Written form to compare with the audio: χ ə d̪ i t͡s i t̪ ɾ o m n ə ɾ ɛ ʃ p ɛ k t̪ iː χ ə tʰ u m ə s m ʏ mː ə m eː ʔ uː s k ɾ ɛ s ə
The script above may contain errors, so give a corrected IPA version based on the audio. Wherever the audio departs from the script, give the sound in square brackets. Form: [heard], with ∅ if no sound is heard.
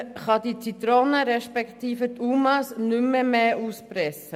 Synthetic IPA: χ [ɑ] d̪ i t͡s i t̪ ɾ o [∅] n ə ɾ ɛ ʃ p ɛ k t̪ iː [f] ə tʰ u m [ɑ] s [n] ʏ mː ə m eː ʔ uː s [p] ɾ ɛ s ə

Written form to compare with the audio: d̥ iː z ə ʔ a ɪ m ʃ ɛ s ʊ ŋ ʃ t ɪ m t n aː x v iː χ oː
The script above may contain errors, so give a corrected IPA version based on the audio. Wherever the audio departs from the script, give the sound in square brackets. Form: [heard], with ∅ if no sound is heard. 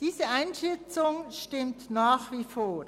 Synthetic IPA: d̥ iː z ə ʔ a ɪ [n] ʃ ɛ [t͡s] ʊ ŋ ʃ t ɪ m t n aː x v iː [f] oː

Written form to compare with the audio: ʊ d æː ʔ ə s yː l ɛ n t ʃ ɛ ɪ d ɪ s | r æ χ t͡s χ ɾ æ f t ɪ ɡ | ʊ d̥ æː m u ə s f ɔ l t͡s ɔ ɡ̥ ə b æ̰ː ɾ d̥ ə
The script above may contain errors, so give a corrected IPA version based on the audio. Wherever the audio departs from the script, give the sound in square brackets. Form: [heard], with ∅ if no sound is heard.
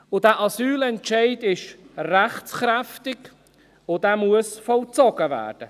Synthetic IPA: ʊ d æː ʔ [ɑ] s yː l ɛ n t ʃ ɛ ɪ d ɪ [ʃ] | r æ χ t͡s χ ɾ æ f t ɪ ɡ | ʊ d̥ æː m u ə s f ɔ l t͡s ɔ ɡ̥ ə [v] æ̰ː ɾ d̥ ə

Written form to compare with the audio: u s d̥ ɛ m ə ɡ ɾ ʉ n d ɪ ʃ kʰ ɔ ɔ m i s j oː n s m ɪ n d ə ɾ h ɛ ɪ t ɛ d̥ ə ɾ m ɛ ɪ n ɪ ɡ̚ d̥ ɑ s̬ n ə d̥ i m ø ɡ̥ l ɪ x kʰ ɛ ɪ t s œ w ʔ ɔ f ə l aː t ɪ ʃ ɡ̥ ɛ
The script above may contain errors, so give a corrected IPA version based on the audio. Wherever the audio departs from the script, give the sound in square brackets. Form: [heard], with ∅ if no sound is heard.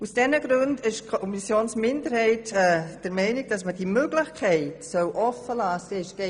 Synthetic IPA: u s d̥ ɛ [n] ə ɡ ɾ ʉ n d ɪ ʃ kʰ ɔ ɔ m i s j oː n s m ɪ n d ə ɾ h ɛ ɪ t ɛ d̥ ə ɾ m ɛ ɪ n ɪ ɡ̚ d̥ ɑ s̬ [m] ə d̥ i m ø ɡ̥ l ɪ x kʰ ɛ ɪ t s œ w ʔ ɔ f ə l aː [s] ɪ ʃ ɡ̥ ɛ

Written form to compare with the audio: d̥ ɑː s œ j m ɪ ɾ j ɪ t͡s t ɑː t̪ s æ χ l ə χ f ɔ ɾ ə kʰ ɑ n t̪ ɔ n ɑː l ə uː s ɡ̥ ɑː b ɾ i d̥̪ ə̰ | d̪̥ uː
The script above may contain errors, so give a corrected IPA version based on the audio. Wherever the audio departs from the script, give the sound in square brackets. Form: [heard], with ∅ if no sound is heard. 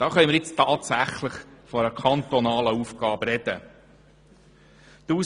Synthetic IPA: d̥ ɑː [χ] œ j m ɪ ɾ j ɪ t͡s t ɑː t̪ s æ χ l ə χ f ɔ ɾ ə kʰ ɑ n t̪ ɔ n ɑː l ə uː [f] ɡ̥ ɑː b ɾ [ɛ] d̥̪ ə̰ | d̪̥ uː

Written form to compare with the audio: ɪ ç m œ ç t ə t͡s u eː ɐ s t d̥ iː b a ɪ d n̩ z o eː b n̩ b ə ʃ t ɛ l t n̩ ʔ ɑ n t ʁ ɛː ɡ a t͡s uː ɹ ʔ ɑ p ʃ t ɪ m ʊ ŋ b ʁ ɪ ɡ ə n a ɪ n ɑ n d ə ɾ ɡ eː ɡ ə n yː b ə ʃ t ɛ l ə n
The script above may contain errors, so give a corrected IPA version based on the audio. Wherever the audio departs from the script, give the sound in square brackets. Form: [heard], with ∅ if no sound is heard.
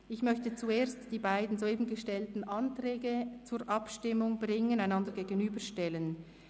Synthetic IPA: ɪ ç m œ ç t ə t͡s u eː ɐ s t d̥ iː b a ɪ d n̩ z o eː b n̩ [ɡ] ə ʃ t ɛ l t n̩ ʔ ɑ n t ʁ ɛː ɡ [ə] t͡s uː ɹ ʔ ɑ p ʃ t ɪ m ʊ ŋ b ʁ ɪ [ŋ] ə n a ɪ n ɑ n d ə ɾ ɡ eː ɡ ə n yː b ə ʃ t ɛ l ə n

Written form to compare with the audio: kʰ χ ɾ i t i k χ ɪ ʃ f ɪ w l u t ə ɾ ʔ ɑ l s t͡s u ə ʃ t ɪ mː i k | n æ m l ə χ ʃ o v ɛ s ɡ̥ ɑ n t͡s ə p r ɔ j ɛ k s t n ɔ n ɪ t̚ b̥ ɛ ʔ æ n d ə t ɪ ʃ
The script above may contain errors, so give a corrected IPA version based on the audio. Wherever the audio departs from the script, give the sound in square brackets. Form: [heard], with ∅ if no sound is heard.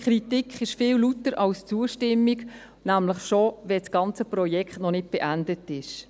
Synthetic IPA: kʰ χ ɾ i t i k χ ɪ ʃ f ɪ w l u t ə ɾ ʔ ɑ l s t͡s u ə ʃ t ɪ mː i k | n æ m l ə χ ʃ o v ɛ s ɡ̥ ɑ n t͡s ə p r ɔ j ɛ k [χ] t n ɔ n ɪ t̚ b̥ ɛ ʔ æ n d ə t ɪ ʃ

